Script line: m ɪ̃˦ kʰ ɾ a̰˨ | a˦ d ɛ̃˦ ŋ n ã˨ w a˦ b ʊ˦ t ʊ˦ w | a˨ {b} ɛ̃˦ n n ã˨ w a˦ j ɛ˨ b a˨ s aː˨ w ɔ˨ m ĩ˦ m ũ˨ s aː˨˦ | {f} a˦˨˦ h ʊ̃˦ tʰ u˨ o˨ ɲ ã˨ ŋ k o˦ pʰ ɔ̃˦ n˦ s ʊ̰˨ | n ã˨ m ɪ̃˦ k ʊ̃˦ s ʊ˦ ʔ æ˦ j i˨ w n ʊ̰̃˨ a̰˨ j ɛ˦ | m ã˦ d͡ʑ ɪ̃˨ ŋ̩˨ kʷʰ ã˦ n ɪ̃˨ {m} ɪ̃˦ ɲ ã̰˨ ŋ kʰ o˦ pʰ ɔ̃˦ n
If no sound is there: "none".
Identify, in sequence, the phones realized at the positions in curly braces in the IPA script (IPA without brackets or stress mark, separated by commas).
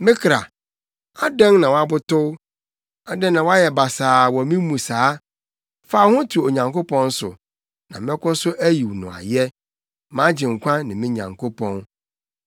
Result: d, f, m